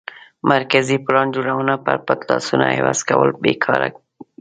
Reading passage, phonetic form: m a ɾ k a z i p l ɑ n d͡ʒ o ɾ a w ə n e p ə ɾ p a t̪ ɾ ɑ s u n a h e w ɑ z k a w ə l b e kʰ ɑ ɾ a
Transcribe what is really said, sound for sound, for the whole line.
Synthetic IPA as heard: m a ɾ k a z i p l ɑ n d͡ʒ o ɽ a w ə n a p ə ɾ p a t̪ l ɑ s u n a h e w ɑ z k a w ə l b e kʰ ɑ ɾ a